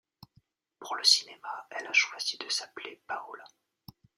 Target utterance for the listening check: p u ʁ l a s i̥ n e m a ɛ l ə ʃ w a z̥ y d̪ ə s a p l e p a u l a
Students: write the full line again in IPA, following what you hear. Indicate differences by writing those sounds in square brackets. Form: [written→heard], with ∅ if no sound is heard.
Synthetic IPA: p u ʁ l [a→ə] s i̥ n e m a ɛ l [ə→a] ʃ w a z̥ [y→i] d̪ ə s a p l e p a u l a

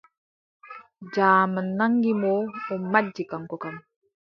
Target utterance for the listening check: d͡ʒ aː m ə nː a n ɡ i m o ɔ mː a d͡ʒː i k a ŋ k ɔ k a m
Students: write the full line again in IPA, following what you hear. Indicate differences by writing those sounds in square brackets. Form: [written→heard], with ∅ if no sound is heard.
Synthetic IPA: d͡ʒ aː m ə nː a [n→ŋ] ɡ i m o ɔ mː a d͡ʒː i k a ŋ k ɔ k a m

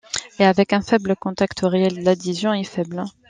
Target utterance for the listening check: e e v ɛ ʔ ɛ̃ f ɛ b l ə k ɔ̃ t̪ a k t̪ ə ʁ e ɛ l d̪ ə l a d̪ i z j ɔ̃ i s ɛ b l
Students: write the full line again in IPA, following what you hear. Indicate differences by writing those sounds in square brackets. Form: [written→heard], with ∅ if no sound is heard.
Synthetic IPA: e [e→a] v ɛ [ʔ→k] ɛ̃ f ɛ b l ə k ɔ̃ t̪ a k t̪ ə ʁ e ɛ l d̪ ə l a d̪ i z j ɔ̃ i [s→f] ɛ b l

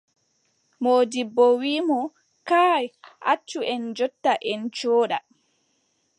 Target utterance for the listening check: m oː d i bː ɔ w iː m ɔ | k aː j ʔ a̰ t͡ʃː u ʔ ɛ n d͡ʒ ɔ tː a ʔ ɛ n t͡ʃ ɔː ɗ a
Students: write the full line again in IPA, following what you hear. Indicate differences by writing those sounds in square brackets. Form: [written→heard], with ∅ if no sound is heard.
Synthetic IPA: m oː d i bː ɔ w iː m ɔ | k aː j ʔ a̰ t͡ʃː u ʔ ɛ n d͡ʒ ɔ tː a ʔ ɛ n t͡ʃ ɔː ɗ a

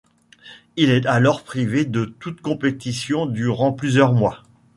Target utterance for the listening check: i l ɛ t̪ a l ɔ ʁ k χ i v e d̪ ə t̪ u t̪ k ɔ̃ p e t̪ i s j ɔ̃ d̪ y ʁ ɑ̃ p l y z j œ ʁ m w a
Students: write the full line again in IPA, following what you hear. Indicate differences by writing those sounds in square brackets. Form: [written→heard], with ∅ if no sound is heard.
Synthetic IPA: i l ɛ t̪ a l ɔ ʁ [k→p] χ i v e d̪ ə t̪ u t̪ k ɔ̃ p e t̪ i s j ɔ̃ d̪ y ʁ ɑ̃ p l y z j œ ʁ m w a

